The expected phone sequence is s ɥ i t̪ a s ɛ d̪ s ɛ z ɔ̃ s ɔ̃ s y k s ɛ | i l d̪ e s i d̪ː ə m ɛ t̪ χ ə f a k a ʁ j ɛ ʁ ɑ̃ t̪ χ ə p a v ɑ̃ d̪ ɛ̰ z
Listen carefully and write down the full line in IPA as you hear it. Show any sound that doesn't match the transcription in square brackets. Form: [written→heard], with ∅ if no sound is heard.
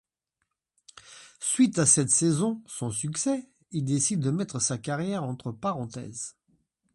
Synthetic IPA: s ɥ i t̪ a s ɛ [d̪→t̪] s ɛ z ɔ̃ s ɔ̃ s y k s ɛ | i l d̪ e s i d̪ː ə m ɛ t̪ χ ə [f→s] a k a ʁ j ɛ ʁ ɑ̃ t̪ χ ə p a [v→ʁ] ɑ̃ [d̪→t̪] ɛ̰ z